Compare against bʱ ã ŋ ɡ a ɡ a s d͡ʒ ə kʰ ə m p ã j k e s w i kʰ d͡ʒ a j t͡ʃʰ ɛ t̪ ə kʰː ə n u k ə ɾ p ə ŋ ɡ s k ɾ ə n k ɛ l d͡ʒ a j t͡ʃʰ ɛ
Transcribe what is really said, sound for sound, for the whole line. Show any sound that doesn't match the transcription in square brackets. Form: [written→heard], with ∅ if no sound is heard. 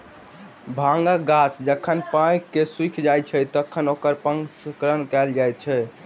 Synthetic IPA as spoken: bʱ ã ŋ ɡ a ɡ a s d͡ʒ ə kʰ ə [m→n] p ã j k e s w i kʰ d͡ʒ a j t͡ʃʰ ɛ t̪ ə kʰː ə n [u→o] k ə ɾ p ə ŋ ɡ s k ɾ ə n k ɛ l d͡ʒ a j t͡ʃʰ ɛ